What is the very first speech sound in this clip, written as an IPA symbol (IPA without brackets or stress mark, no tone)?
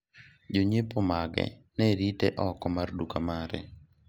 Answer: d͡ʒ